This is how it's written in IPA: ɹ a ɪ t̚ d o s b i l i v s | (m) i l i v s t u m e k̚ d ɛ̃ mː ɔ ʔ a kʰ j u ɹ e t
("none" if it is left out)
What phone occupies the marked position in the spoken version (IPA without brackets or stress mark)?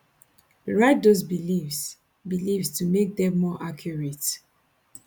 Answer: b